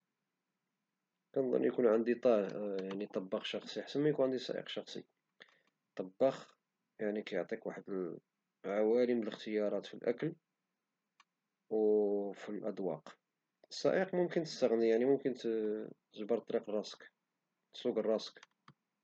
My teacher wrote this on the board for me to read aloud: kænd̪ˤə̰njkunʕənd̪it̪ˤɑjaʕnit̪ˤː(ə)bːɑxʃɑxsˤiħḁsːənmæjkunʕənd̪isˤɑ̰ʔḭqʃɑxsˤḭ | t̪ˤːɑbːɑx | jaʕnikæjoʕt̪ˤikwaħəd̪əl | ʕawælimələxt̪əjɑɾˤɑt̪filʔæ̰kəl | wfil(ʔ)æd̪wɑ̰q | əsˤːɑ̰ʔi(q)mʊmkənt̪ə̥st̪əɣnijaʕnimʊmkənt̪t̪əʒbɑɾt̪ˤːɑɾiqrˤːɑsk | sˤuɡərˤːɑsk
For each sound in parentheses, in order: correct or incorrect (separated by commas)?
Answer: incorrect, correct, correct